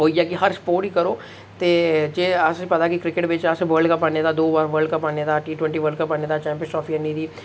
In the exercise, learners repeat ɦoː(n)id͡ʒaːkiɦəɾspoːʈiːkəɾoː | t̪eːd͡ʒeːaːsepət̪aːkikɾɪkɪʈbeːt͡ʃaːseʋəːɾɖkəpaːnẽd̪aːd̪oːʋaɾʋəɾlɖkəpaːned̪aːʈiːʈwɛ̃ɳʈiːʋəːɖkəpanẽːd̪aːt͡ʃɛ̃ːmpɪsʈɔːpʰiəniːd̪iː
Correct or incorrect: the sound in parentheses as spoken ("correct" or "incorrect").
incorrect